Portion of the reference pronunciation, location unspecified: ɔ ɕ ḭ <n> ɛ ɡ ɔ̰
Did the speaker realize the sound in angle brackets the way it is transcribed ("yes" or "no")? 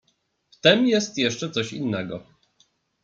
no